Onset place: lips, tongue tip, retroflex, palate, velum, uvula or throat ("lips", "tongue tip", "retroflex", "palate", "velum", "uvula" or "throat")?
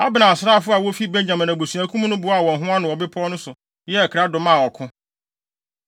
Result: lips